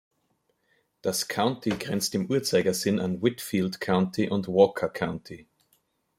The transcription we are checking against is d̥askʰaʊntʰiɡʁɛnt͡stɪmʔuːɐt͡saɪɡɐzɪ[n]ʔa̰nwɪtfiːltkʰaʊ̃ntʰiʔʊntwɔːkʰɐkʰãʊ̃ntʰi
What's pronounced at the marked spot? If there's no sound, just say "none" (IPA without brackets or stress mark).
n